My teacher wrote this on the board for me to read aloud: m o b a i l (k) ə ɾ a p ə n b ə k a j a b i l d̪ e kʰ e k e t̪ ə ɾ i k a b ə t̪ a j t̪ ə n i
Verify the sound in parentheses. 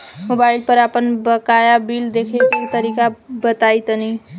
incorrect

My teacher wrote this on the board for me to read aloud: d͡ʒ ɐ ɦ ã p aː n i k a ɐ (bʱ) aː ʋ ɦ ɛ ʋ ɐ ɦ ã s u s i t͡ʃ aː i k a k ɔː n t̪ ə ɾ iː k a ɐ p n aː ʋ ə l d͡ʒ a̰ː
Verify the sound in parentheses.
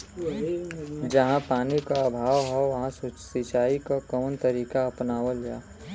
correct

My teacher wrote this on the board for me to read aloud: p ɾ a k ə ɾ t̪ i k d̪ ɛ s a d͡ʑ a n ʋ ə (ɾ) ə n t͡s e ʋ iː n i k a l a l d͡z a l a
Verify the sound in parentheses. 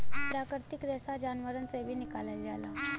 correct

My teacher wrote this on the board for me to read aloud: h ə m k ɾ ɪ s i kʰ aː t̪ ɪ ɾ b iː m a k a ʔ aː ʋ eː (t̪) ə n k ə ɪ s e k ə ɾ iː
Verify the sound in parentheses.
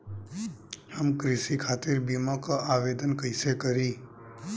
incorrect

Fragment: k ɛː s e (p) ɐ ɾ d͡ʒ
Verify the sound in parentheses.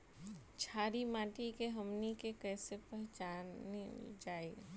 correct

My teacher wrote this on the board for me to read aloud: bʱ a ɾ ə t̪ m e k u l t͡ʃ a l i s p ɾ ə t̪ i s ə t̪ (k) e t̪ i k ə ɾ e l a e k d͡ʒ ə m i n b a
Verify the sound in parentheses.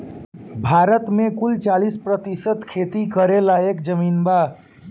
incorrect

